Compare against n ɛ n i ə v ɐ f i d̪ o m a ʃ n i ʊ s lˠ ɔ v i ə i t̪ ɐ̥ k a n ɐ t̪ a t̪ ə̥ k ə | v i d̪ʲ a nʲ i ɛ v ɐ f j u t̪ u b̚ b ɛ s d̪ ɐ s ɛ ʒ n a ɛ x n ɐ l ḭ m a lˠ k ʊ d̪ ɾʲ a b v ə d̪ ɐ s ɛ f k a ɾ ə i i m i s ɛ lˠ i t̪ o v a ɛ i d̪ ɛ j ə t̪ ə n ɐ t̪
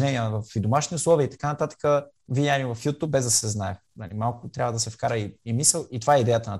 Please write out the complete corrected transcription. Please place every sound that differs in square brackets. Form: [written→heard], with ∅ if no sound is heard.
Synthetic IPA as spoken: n ɛ n i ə v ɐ f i d̪ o m a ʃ n i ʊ s lˠ ɔ v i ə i t̪ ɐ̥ k a n ɐ t̪ a t̪ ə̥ k ə | v i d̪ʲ a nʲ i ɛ v ɐ f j u t̪ u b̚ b ɛ [s→z] d̪ ɐ s ɛ [ʒ→z] n a ɛ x n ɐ l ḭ m a lˠ k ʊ [d̪→t̪] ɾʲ a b v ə d̪ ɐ s ɛ f k a ɾ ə i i m i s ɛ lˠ i t̪ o v a ɛ i d̪ ɛ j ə t̪ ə n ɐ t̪